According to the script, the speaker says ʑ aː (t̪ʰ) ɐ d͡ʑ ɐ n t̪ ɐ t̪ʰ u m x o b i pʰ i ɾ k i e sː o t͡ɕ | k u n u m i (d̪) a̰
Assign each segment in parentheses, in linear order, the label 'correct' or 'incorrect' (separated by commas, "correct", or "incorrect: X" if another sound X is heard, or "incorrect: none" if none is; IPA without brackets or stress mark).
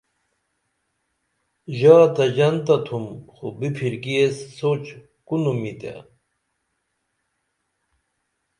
incorrect: t̪, incorrect: t̪